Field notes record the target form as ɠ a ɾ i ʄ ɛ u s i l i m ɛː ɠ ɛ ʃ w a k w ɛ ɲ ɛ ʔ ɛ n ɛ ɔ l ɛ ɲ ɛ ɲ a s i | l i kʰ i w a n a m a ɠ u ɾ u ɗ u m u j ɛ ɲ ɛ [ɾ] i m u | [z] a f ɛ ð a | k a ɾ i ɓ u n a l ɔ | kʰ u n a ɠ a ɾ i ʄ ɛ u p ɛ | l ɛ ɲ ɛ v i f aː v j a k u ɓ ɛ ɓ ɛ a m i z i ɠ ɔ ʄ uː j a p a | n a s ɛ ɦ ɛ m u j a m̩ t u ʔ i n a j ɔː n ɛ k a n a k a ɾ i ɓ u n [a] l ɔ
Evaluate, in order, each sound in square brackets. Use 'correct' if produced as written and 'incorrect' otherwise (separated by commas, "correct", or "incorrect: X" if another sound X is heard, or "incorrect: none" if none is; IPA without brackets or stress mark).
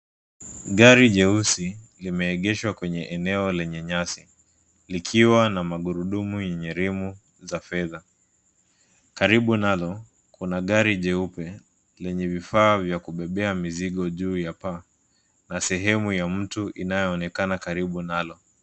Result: correct, correct, correct